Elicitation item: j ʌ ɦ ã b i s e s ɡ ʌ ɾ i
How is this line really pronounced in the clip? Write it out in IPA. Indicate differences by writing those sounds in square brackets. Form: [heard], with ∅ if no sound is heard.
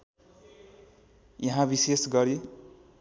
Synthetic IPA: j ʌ ɦ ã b i s e s ɡ ʌ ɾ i